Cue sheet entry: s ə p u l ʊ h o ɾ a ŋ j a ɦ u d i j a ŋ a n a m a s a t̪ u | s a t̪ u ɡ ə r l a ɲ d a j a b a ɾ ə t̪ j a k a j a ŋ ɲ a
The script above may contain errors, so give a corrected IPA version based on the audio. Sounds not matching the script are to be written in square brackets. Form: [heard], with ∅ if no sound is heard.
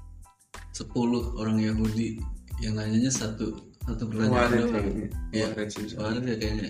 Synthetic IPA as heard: s ə p u l ʊ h o ɾ a ŋ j a ɦ u d i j a ŋ a [ɲ] a [ɲ] a s a t̪ u | s a t̪ u [b] ə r l a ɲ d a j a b a ɾ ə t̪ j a k a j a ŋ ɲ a